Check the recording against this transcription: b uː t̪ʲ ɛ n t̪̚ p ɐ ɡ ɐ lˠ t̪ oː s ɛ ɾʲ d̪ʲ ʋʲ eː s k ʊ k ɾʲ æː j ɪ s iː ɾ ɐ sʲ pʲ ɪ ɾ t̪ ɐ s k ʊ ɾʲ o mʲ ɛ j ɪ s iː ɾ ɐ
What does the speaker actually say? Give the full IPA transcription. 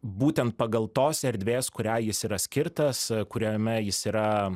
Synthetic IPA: b uː t̪ʲ ɛ n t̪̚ p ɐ ɡ ɐ lˠ t̪ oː s ɛ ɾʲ d̪ʲ ʋʲ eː s k ʊ ɾʲ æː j ɪ s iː ɾ ɐ sʲ kʲ ɪ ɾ t̪ ɐ s k ʊ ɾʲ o mʲ ɛ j ɪ s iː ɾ ɐ